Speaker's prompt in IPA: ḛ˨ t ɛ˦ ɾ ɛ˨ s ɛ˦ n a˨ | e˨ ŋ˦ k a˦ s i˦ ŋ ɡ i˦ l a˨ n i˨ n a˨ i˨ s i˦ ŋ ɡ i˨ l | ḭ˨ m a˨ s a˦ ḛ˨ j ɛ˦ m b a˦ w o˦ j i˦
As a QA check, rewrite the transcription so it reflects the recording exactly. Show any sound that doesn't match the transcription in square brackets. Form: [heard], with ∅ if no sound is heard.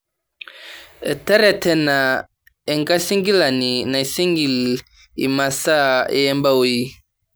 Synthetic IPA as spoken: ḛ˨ t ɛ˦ ɾ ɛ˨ [t] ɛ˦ n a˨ | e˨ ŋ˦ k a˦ s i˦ ŋ ɡ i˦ l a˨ n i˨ n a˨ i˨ s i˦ ŋ ɡ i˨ l | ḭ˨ m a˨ s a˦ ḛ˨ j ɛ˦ m b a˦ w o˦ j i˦